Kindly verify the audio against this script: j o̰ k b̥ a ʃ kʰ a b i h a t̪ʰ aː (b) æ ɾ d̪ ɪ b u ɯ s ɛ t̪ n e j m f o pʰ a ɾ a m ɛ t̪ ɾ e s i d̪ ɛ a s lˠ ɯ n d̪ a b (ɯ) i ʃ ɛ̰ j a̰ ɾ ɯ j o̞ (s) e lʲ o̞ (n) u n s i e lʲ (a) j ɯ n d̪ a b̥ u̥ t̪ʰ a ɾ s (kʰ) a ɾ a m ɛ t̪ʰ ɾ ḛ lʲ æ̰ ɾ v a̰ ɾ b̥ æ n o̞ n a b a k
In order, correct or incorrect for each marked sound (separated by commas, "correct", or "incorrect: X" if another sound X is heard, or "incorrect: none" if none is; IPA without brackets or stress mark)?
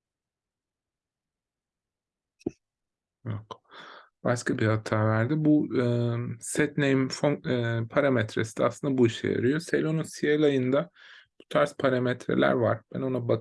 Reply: incorrect: v, incorrect: u, correct, correct, correct, incorrect: pʰ